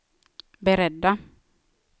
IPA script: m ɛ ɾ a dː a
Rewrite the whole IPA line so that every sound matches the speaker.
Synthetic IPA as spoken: b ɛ ɾ ɛ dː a